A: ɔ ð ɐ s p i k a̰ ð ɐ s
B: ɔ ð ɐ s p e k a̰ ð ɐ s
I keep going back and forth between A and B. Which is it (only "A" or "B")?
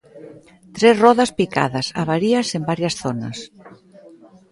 A